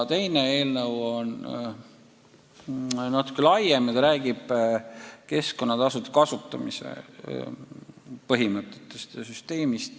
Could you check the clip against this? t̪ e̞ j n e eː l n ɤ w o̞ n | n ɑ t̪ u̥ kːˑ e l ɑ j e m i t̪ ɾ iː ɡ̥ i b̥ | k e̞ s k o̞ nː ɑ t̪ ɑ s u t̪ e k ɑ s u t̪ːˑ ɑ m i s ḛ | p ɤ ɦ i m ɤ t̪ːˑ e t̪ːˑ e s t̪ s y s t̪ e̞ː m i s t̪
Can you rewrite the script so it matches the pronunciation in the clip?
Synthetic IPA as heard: t̪ e̞ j n e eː l n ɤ w o̞ n | n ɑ t̪ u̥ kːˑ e l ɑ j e m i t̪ ɾ æː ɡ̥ i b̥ | k e̞ s k o̞ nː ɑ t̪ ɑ s u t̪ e k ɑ s u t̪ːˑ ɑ m i s ḛ | p ɤ ɦ i m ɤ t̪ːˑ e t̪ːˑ e s t̪ s y s t̪ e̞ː m i s t̪